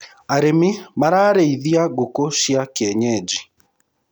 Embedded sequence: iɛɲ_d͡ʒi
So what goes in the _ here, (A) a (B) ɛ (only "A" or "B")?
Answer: B